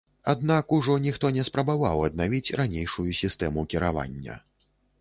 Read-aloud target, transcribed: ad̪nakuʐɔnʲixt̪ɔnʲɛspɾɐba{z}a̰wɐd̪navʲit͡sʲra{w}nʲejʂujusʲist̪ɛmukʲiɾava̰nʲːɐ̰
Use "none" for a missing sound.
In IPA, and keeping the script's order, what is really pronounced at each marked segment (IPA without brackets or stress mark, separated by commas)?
v, none